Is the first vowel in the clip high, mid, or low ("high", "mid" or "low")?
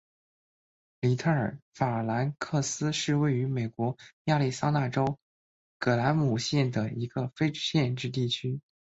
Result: high